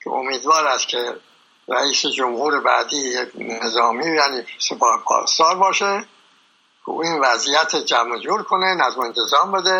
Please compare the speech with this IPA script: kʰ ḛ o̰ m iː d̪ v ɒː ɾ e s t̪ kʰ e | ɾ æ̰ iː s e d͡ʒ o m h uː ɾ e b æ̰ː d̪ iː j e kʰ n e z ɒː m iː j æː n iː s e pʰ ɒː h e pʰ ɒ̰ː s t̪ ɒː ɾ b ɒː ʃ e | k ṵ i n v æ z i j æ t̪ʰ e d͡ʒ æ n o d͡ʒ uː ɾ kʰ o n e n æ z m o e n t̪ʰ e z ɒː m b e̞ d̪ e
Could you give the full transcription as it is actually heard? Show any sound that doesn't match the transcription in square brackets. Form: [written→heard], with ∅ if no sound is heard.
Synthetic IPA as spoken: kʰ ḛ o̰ m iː d̪ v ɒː ɾ [e→æ] s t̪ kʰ e | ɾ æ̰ iː s e d͡ʒ o m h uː ɾ e b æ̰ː d̪ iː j e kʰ n e z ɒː m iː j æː n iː s e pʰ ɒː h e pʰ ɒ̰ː s t̪ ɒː ɾ b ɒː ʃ e | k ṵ i n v æ z i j æ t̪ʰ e d͡ʒ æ [n→m] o d͡ʒ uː ɾ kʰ o n e n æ z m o e n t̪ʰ e z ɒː m b e̞ d̪ e